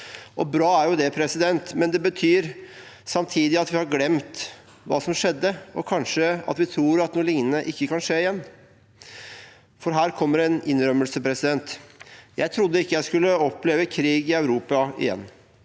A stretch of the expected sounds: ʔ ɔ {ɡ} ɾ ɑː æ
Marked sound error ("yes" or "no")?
yes